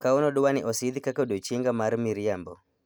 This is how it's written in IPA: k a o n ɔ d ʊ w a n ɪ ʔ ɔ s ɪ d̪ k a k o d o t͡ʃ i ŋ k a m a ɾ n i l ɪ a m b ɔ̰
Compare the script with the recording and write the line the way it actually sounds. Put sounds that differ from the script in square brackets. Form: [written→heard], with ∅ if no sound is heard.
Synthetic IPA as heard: k a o n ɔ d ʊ w a n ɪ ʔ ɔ s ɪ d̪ k a k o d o t͡ʃ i ŋ [k→ɡ] a m a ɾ [n→m] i [l→ɾ] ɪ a m b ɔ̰